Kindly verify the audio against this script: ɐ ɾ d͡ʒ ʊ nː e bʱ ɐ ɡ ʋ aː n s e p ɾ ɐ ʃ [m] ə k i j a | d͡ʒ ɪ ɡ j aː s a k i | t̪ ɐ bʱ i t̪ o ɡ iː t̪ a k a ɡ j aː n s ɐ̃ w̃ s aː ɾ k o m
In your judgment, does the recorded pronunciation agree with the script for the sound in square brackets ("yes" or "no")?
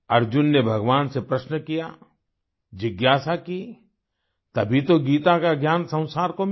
no